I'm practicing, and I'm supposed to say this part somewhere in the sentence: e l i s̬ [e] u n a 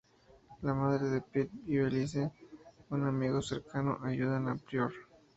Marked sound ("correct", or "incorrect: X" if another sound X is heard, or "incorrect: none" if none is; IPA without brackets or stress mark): correct